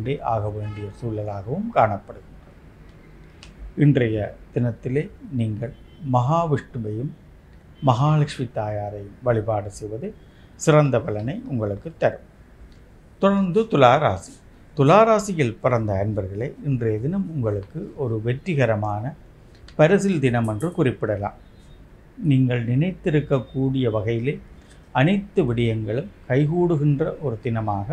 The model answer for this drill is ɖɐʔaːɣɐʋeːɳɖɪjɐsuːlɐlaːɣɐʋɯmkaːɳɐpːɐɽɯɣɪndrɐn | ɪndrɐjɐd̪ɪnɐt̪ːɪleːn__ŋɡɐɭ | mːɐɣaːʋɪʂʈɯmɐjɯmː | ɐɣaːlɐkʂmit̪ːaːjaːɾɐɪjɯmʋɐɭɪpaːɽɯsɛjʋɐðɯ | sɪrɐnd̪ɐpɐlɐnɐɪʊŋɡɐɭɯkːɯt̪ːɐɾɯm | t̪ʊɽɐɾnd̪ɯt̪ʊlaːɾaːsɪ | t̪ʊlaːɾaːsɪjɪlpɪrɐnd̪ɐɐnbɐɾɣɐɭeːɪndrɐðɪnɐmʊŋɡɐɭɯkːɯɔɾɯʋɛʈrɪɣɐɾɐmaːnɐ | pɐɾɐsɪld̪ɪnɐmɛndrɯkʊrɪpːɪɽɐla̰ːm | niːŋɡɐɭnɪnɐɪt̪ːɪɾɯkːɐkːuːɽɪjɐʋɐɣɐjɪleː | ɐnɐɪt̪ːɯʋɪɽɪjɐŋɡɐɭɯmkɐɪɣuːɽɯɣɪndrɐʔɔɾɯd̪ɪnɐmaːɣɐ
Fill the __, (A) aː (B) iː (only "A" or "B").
B